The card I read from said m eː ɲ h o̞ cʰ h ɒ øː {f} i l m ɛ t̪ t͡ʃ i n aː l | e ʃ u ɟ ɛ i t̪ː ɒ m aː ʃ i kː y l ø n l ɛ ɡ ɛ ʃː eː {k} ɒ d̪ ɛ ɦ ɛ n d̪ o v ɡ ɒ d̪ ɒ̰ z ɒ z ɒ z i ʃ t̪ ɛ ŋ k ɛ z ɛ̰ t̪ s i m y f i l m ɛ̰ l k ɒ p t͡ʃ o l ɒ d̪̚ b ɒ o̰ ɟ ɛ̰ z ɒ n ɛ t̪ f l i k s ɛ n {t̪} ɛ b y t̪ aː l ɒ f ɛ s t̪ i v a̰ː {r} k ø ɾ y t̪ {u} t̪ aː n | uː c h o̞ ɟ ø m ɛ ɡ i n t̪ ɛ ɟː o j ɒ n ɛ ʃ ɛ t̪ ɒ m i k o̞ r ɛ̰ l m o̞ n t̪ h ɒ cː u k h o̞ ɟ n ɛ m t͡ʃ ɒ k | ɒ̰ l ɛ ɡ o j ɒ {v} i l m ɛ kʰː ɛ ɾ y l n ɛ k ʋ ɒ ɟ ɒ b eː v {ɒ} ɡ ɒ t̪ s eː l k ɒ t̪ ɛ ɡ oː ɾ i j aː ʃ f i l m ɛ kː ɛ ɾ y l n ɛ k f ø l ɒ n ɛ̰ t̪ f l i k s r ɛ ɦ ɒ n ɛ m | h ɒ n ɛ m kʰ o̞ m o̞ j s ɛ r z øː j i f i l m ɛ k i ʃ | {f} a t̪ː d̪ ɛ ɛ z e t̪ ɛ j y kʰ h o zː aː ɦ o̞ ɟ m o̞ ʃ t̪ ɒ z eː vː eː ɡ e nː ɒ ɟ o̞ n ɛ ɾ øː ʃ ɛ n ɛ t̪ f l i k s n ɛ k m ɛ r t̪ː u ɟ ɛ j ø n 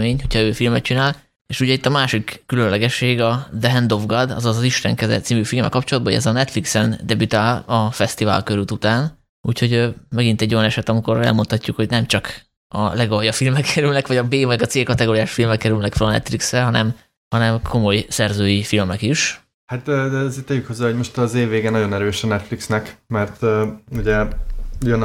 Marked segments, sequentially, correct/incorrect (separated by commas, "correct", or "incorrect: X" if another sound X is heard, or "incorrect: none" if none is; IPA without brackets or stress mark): correct, incorrect: ɡ, incorrect: d̪, incorrect: l, correct, incorrect: f, correct, incorrect: h